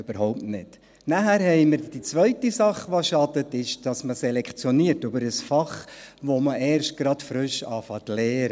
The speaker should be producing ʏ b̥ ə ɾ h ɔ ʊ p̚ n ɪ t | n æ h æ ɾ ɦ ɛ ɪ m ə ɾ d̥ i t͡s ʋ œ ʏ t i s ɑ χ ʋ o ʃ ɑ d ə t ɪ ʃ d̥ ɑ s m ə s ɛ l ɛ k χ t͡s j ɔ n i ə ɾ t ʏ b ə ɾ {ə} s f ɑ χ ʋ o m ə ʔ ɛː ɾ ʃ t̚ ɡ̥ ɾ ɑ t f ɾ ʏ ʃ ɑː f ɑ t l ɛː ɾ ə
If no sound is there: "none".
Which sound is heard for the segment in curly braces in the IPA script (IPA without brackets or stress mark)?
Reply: ə